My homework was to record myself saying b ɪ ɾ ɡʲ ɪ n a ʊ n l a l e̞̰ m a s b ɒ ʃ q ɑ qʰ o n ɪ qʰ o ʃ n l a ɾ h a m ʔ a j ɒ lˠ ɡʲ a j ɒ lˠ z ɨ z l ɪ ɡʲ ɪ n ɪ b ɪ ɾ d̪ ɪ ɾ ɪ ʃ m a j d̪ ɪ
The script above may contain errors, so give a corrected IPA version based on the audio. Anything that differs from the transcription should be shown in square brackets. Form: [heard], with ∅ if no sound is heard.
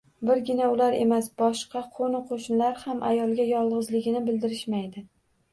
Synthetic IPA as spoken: b ɪ ɾ ɡʲ ɪ n a ʊ [∅] l a [ɾ] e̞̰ m a s b ɒ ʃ q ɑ qʰ o n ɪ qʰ o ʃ n l a ɾ h a m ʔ a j ɒ lˠ ɡʲ a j ɒ lˠ [ʁ] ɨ z l ɪ ɡʲ ɪ n ɪ b ɪ [l] d̪ ɪ ɾ ɪ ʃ m a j d̪ ɪ

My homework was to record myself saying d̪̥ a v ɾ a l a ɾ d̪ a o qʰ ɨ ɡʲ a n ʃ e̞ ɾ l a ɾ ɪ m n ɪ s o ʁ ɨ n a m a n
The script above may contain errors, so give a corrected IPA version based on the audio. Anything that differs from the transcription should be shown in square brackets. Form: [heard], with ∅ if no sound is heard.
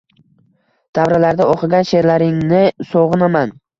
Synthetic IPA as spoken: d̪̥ a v ɾ a l a ɾ d̪ a o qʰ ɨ ɡʲ a n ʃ e̞ ɾ l a ɾ ɪ [ŋ] n ɪ s o ʁ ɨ n a m a n

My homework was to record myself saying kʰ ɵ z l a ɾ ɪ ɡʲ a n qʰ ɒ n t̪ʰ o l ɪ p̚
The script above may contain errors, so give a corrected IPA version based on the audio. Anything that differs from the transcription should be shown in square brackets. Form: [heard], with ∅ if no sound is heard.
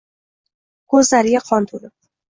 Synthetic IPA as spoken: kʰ ɵ z l a ɾ ɪ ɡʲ a [∅] qʰ ɒ n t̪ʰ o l ɪ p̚

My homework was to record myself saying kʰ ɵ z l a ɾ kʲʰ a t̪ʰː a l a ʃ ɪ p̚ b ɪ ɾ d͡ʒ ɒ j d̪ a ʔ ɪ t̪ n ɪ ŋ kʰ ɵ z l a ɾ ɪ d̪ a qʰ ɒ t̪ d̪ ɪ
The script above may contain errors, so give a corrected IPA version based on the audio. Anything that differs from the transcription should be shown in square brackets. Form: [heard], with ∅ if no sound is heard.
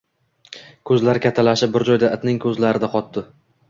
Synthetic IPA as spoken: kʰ ɵ z l a ɾ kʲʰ a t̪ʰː a l a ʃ ɪ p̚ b ɪ ɾ d͡ʒ ɒ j d̪ a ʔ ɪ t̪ n ɪ ŋ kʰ ɵ z l a ɾ ɪ d̪ a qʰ ɒ t̪ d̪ ɪ

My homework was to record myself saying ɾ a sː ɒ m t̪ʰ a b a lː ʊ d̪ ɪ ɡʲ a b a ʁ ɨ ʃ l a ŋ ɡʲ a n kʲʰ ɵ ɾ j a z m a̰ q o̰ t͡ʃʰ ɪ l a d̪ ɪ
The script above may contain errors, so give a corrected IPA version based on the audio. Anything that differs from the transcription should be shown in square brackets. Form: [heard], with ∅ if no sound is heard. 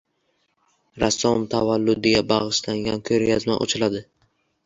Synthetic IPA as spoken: ɾ a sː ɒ m t̪ʰ a [v] a lː ʊ d̪ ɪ ɡʲ a b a ʁ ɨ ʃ l a ŋ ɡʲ a n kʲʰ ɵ ɾ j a z m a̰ [ʔ] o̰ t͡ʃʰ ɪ l a d̪ ɪ

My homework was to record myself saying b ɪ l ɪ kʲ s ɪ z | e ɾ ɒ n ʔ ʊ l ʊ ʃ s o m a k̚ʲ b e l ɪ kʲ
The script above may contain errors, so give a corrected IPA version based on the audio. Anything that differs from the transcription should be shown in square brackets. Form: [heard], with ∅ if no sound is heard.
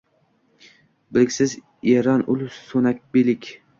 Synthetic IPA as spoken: b ɪ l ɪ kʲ s ɪ z | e ɾ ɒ n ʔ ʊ l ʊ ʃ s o [n] a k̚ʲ b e l ɪ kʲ

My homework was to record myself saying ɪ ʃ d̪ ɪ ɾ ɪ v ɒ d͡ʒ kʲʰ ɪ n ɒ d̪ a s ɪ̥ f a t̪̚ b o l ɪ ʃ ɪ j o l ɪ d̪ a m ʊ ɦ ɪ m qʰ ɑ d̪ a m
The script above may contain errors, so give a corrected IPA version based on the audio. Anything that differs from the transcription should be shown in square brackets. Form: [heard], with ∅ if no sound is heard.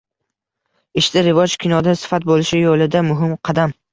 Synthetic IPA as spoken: ɪ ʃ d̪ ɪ ɾ ɪ v ɒ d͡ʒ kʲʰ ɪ n ɒ d̪ a s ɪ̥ f a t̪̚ b o l ɪ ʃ ɪ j o l ɪ d̪ a m ʊ ɦ ɪ m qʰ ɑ d̪ a m

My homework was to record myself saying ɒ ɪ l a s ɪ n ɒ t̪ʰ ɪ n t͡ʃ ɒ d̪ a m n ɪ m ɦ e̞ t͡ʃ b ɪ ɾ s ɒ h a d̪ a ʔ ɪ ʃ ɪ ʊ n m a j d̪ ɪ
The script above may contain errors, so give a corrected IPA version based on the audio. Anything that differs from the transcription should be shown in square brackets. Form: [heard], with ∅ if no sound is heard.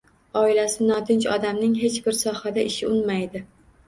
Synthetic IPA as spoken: ɒ ɪ l a s ɪ n ɒ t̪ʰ ɪ n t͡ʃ ɒ d̪ a m n ɪ [ŋ] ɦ e̞ t͡ʃ b ɪ ɾ s ɒ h a d̪ a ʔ ɪ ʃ ɪ ʊ n m a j d̪ ɪ

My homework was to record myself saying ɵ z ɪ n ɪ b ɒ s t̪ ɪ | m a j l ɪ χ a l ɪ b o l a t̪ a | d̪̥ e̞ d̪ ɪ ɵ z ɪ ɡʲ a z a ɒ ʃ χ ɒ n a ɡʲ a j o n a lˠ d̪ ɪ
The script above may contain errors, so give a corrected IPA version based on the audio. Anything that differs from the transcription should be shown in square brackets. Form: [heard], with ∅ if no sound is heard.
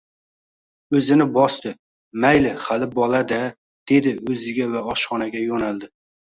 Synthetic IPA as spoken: ɵ z ɪ n ɪ b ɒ s t̪ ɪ | m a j l ɪ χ a l ɪ b [ɒ] l a [d̪] a | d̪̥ e̞ d̪ ɪ ɵ z ɪ ɡʲ a [v] a ɒ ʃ χ ɒ n a ɡʲ a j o n a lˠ d̪ ɪ

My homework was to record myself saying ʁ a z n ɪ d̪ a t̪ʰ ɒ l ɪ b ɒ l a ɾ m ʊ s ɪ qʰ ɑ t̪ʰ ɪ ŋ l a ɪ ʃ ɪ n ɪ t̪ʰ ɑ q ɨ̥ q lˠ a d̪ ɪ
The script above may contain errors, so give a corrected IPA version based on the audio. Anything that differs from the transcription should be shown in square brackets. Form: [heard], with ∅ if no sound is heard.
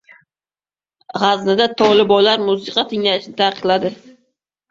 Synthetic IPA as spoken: ʁ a z n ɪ d̪ a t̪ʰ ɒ l ɪ b ɒ l a ɾ m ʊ s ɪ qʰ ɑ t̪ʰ ɪ ŋ l a ɪ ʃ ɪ n ɪ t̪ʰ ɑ q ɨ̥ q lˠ a d̪ ɪ

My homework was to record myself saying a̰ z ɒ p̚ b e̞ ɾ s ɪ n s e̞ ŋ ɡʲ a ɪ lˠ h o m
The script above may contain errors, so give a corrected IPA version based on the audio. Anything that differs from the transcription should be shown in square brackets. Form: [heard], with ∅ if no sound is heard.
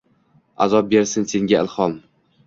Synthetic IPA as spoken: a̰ z ɒ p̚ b e̞ ɾ s ɪ n s e̞ ŋ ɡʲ a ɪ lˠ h [ɒ] m

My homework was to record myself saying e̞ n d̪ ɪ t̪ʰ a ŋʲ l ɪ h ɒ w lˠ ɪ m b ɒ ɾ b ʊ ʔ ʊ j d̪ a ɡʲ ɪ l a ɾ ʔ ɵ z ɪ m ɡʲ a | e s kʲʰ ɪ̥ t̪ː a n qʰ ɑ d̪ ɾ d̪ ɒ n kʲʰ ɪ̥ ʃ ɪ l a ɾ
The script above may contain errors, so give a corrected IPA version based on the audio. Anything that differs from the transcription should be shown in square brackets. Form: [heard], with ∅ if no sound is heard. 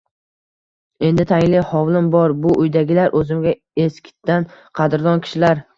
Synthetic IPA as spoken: e̞ n d̪ ɪ t̪ʰ a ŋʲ l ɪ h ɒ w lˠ ɪ m b ɒ ɾ b ʊ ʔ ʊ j d̪ a ɡʲ ɪ l a ɾ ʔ ɵ z ɪ m ɡʲ a | e s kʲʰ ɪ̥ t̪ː a n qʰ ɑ d̪ ɾ d̪ ɒ n kʲʰ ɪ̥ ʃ ɪ l a ɾ

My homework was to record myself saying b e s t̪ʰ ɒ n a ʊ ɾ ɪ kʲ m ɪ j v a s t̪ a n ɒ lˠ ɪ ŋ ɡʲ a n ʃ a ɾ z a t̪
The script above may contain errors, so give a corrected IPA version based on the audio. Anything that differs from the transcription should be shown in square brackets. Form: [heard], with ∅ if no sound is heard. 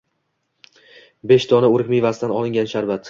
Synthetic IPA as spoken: b e [ʃ] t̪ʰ ɒ n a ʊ ɾ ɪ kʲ m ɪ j v a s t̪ a n ɒ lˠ ɪ ŋ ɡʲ a n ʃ a ɾ [v] a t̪

